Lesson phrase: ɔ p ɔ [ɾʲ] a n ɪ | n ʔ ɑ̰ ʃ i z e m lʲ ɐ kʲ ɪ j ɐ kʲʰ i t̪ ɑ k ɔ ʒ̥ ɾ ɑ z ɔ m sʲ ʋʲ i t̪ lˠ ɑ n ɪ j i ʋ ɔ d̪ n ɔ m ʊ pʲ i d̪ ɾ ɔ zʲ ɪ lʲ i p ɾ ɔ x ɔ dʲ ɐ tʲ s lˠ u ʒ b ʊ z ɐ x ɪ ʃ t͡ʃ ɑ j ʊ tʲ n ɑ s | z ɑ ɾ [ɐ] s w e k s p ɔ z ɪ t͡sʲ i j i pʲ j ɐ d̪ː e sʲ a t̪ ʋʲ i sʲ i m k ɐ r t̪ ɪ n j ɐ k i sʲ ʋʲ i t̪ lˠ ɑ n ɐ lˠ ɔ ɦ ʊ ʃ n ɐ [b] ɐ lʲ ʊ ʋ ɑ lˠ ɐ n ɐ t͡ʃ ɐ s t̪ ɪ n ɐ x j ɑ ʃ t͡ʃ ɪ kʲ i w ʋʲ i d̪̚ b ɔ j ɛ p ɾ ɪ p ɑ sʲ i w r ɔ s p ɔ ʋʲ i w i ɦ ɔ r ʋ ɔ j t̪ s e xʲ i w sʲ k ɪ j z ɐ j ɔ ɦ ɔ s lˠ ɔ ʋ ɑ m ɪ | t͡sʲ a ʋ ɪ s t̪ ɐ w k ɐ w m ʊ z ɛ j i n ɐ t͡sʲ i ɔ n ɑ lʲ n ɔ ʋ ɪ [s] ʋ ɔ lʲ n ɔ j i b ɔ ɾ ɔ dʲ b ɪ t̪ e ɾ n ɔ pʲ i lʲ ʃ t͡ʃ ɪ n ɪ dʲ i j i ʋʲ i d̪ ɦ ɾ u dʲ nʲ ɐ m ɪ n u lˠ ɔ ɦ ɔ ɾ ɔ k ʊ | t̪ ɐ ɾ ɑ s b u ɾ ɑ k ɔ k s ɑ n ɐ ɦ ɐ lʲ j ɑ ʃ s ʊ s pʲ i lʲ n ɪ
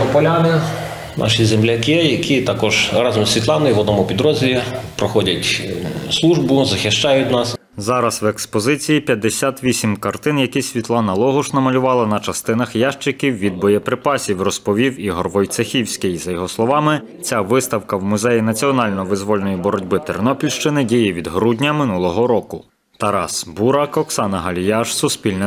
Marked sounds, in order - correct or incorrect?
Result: incorrect: lʲ, correct, incorrect: m, incorrect: z

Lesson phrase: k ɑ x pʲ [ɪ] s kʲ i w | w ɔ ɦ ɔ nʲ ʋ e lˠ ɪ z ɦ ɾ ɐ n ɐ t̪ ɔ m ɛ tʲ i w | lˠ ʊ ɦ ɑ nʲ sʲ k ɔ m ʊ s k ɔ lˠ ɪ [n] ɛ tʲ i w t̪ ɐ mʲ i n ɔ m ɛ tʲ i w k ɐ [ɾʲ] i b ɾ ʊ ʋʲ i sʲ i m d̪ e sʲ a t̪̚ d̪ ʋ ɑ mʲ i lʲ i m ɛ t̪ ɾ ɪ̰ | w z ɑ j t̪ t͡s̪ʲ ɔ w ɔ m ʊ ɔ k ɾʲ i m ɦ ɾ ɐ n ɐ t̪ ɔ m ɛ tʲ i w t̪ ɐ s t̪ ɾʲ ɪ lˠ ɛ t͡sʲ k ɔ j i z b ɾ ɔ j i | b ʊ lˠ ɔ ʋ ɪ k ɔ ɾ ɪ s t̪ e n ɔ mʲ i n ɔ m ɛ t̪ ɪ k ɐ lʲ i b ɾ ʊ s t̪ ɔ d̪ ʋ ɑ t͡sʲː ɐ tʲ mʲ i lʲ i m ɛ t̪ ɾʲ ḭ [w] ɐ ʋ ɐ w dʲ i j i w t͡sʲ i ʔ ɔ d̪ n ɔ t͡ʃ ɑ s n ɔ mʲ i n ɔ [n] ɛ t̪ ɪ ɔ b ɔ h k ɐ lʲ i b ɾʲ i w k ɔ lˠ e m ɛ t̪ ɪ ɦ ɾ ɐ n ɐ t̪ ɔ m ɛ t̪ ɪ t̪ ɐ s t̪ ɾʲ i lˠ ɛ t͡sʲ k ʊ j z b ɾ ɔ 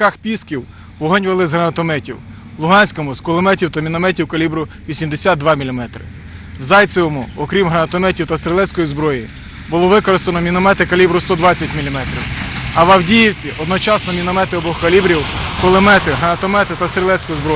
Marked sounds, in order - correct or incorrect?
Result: incorrect: i, incorrect: m, incorrect: lʲ, correct, incorrect: m

